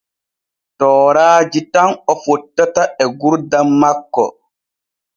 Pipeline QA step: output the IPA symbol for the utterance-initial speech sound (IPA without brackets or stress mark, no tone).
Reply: t